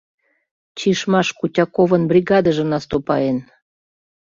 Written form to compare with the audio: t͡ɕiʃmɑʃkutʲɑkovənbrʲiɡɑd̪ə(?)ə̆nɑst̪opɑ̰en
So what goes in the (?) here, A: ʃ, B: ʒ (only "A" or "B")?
B